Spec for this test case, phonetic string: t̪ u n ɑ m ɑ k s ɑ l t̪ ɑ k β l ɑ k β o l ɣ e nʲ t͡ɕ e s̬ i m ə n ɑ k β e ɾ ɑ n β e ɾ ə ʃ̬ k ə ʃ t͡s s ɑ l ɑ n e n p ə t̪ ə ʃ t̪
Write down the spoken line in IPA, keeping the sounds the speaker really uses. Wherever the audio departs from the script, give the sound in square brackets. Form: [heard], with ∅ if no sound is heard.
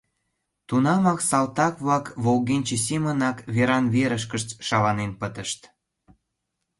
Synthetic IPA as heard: t̪ u n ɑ m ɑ k s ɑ l t̪ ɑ k β l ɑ k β o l ɣ e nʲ t͡ɕ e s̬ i m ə n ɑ k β e ɾ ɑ n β e ɾ ə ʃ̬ k ə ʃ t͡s [ʃ] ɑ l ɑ n e n p ə t̪ ə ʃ t̪